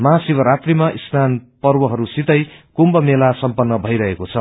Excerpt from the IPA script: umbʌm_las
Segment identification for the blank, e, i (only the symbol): e